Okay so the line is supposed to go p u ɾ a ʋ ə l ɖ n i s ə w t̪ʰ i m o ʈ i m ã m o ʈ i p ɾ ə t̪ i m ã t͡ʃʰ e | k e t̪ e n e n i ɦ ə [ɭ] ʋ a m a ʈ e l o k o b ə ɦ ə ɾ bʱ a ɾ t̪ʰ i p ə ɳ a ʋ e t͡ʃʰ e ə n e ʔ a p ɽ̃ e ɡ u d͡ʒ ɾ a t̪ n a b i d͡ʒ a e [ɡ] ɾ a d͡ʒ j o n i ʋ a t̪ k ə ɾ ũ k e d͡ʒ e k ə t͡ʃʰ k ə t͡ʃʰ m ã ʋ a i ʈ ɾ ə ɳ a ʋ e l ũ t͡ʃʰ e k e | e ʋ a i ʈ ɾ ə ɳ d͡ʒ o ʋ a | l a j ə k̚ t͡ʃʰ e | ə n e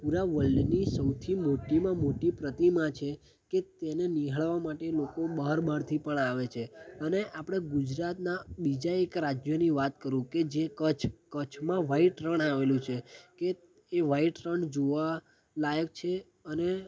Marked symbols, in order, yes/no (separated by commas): yes, no